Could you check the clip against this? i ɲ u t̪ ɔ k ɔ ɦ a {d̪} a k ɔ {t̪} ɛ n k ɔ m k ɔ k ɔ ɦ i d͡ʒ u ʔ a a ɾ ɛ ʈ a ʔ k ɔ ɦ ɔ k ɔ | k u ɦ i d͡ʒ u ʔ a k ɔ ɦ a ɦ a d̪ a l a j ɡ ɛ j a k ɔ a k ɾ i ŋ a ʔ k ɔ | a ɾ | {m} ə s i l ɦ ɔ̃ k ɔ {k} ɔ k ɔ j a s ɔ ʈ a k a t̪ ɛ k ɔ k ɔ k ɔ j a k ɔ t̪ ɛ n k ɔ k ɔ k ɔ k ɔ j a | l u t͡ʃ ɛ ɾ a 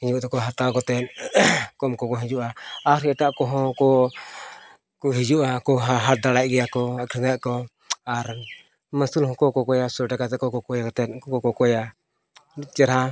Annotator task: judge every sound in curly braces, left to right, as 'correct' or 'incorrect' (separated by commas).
incorrect, correct, correct, correct